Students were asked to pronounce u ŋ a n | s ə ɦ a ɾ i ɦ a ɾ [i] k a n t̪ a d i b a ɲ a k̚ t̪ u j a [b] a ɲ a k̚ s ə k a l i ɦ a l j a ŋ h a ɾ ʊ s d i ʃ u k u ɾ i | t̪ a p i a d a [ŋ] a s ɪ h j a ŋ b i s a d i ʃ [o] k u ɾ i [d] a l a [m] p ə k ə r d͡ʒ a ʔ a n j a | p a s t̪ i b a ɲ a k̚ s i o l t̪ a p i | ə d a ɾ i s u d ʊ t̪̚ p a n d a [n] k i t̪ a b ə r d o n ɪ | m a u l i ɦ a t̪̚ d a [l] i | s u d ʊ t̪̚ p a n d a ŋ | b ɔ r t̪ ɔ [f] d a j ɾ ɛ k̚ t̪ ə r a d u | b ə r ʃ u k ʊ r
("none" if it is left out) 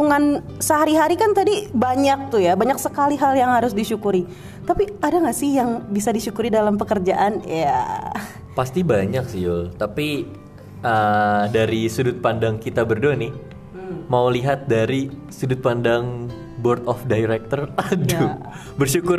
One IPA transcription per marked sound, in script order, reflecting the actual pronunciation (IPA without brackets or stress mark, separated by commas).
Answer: i, b, ŋ, u, d, m, ŋ, ɾ, f